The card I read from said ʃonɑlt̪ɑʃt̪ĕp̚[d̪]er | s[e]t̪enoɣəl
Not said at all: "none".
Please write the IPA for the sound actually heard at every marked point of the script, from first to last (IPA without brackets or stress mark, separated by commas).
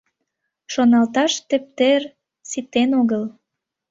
t̪, i